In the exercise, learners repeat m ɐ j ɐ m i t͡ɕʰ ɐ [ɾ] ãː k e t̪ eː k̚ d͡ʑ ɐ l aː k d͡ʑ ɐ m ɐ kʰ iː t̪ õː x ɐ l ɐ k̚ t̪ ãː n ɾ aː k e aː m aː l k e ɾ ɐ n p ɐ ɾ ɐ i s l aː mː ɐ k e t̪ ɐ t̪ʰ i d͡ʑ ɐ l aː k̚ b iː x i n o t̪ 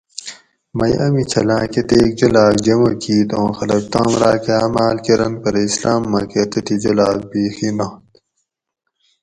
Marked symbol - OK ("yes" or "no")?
no